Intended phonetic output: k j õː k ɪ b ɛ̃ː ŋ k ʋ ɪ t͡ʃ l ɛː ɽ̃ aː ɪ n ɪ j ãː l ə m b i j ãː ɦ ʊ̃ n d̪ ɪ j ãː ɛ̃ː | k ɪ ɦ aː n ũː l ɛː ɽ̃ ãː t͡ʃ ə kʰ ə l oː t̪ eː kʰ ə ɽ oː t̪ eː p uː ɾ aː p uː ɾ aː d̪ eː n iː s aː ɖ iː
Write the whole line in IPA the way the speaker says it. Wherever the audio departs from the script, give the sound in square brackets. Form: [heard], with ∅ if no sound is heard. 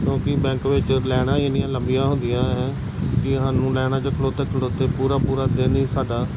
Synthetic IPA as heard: k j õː k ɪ b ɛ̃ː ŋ k ʋ ɪ t͡ʃ l ɛː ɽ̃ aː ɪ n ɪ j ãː l ə m b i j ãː ɦ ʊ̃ n d̪ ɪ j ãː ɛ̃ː | k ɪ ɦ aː n ũː l ɛː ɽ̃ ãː t͡ʃ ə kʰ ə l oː t̪ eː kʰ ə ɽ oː t̪ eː p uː ɾ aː p uː ɾ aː d̪ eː n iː s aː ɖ [aː]